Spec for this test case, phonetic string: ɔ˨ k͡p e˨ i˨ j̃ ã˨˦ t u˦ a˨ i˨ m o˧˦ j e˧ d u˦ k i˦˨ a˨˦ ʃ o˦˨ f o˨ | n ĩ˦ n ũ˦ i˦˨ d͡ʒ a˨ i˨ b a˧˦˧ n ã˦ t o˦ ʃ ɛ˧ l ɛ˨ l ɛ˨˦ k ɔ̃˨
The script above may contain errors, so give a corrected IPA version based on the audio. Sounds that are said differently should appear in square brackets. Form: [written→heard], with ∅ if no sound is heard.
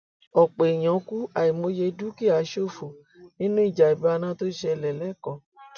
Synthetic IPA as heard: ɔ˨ k͡p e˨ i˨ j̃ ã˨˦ [t→k] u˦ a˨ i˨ m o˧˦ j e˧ d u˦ k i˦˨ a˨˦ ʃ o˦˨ f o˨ | n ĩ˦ n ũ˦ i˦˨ d͡ʒ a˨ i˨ b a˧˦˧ n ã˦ t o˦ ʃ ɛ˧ l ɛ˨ l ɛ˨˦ k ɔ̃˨